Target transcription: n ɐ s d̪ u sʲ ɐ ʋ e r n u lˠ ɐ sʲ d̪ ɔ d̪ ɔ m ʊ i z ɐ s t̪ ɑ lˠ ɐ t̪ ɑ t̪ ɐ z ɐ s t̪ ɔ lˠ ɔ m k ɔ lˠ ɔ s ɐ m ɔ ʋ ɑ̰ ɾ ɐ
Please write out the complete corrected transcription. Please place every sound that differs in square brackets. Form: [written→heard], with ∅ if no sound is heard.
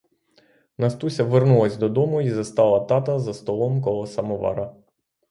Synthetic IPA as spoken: n ɐ s [d̪→t̪] u sʲ ɐ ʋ e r n u lˠ ɐ sʲ d̪ ɔ d̪ ɔ m ʊ i z ɐ s t̪ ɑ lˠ ɐ t̪ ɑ t̪ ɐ z ɐ s t̪ ɔ lˠ ɔ m k ɔ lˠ ɔ s ɐ m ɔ ʋ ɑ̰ ɾ ɐ